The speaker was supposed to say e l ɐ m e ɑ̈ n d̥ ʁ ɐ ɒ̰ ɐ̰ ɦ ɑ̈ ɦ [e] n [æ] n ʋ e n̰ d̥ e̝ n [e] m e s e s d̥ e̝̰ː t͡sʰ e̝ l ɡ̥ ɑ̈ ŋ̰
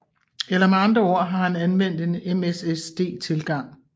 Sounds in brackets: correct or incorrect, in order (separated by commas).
incorrect, correct, correct